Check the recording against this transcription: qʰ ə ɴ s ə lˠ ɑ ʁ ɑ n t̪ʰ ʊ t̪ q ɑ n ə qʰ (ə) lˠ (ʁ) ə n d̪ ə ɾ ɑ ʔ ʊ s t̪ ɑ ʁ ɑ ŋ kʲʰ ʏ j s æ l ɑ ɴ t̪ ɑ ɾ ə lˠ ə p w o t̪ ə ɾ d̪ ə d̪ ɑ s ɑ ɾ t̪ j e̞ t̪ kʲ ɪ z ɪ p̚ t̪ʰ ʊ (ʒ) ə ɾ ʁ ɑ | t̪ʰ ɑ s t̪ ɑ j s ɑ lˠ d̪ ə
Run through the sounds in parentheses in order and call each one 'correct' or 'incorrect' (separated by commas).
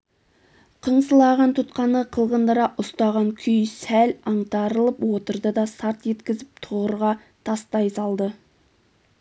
correct, correct, incorrect